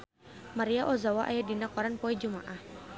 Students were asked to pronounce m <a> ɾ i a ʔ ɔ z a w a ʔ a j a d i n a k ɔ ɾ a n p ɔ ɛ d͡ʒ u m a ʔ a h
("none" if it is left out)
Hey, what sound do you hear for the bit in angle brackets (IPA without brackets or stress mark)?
a